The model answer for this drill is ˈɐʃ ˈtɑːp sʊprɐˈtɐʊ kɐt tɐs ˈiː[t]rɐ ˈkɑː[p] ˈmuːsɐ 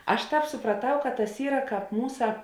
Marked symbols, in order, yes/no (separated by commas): no, yes